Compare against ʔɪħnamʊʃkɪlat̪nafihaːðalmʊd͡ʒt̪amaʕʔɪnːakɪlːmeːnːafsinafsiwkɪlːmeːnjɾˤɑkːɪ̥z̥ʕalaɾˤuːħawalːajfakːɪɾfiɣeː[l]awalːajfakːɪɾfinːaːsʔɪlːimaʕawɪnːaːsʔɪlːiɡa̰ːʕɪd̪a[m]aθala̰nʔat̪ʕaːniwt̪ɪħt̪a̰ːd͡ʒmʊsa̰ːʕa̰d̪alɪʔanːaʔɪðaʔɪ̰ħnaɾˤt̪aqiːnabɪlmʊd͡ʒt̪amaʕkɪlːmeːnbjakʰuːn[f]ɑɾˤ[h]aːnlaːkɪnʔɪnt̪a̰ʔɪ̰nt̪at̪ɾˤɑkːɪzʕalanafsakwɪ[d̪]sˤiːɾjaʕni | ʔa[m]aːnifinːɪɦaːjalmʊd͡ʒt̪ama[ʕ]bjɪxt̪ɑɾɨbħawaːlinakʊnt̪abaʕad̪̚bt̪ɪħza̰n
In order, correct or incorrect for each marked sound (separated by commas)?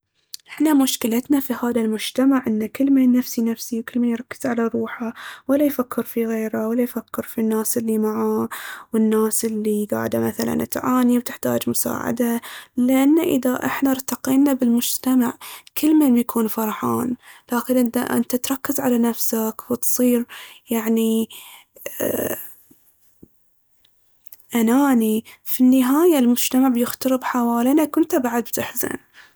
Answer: incorrect, correct, correct, incorrect, incorrect, incorrect, correct